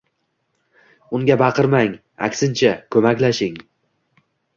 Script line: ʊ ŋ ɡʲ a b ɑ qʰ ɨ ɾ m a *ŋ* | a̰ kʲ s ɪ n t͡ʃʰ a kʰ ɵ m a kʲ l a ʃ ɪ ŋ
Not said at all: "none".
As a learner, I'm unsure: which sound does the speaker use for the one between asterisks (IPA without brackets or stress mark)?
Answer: ŋ